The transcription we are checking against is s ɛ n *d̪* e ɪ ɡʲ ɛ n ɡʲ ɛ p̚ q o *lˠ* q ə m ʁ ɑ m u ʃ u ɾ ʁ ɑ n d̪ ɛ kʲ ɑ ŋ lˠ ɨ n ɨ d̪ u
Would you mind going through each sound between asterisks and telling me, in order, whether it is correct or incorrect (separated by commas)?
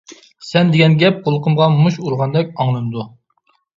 correct, correct